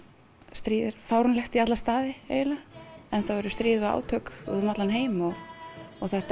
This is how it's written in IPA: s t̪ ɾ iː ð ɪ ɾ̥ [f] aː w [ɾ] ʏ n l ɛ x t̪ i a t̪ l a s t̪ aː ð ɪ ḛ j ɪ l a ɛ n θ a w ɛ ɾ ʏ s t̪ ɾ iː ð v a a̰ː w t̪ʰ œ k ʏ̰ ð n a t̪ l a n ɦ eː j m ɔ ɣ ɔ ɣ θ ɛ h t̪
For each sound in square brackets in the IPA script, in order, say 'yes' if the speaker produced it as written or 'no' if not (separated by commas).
yes, yes